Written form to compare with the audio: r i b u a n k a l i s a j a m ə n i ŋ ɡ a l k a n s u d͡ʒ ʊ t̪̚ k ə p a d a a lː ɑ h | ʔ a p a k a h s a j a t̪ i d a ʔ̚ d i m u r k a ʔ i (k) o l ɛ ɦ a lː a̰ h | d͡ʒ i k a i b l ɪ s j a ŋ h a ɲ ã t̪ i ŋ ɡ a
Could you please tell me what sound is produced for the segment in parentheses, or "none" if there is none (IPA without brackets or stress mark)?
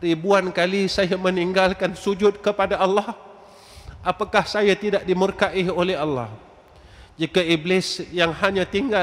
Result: none